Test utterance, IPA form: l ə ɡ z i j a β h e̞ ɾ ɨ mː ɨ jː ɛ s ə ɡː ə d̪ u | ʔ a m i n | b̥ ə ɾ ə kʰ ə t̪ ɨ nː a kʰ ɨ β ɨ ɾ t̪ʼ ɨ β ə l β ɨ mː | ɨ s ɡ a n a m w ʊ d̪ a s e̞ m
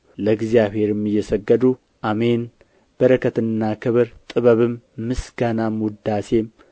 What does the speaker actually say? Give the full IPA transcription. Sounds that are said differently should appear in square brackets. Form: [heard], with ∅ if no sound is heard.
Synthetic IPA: l ə ɡ z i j a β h e̞ ɾ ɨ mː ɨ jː ɛ s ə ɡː ə d̪ u | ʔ a m [e] n | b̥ ə ɾ ə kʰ ə t̪ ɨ nː a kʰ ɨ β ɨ ɾ t̪ʼ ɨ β ə [∅] β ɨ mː | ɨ s ɡ a n a m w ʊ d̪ a s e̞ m